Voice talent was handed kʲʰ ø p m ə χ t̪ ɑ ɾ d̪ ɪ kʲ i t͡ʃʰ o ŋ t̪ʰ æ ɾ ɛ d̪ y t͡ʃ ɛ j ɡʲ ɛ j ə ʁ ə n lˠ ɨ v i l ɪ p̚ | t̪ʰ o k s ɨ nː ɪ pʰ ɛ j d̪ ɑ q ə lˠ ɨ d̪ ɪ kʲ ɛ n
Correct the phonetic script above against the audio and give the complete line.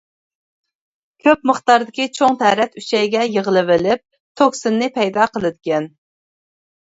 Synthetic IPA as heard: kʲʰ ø p m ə χ t̪ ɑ ɾ d̪ ɪ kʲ i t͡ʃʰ o ŋ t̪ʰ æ ɾ ɛ t̪ y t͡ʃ ɛ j ɡʲ ɛ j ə ʁ ə lˠ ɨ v ɪ l ɪ p̚ | t̪ʰ o k s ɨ nː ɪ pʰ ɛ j d̪ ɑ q ə lˠ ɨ d̪ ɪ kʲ ɛ n